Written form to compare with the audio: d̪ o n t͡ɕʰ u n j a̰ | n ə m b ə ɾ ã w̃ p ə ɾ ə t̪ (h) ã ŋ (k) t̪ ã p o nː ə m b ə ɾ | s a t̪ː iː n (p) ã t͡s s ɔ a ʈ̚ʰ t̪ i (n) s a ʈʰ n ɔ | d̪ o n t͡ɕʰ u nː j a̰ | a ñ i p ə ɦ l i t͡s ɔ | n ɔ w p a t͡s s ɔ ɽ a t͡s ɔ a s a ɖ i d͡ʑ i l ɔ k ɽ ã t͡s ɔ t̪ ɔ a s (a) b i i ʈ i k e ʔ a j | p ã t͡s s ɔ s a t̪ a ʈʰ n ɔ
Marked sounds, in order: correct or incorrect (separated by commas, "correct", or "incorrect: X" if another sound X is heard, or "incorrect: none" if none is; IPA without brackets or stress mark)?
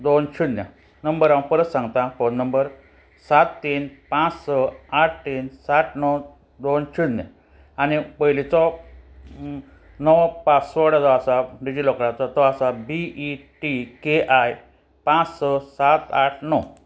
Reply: incorrect: s, incorrect: ɡ, correct, correct, correct